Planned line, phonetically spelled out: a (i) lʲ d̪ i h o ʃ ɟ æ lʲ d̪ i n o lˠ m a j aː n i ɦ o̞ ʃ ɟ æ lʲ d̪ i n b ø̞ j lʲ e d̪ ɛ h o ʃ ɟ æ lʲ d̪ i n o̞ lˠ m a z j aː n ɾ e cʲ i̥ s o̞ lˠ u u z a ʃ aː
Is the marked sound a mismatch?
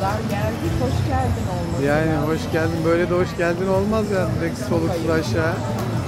yes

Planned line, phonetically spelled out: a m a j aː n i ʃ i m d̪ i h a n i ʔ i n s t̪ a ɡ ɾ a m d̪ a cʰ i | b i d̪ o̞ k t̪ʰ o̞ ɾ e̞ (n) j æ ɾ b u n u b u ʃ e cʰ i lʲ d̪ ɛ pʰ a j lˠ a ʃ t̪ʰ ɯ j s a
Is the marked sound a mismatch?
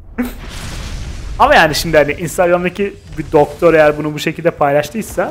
yes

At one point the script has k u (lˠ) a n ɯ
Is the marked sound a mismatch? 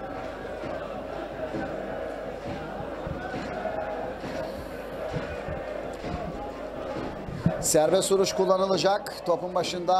yes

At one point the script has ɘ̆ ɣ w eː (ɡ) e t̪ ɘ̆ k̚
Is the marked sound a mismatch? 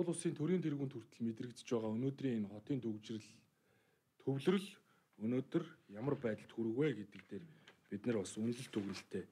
no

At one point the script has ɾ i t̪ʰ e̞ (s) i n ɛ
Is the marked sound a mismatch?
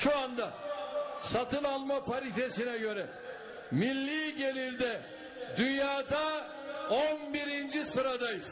no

